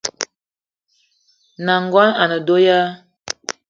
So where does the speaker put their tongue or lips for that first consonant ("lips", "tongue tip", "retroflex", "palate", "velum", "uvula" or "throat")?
tongue tip